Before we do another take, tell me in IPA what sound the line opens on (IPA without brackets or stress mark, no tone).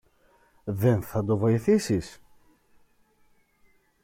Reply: ð